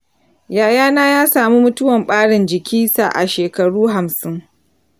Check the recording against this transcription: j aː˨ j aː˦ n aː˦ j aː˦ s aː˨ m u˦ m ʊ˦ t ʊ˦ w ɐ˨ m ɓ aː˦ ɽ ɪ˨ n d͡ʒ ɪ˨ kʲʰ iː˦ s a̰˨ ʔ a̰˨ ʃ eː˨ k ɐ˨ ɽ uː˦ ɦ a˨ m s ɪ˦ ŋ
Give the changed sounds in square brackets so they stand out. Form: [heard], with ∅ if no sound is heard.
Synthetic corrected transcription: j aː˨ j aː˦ n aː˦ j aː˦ s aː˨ m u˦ m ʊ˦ t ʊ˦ w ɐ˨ m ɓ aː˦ ɽ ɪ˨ n d͡ʒ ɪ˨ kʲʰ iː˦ s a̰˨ ʔ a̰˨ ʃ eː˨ k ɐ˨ ɽ uː˦ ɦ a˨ m s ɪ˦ ŋ